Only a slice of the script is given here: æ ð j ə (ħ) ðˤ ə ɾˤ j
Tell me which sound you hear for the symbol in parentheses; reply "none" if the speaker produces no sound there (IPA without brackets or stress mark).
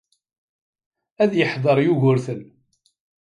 ħ